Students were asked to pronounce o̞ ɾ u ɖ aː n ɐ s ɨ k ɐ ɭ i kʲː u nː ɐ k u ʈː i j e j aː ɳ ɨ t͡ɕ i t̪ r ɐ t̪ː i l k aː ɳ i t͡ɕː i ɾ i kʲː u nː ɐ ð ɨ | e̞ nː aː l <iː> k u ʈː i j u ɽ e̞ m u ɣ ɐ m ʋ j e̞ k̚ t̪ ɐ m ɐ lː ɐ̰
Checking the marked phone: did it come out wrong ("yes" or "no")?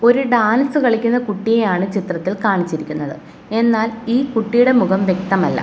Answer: no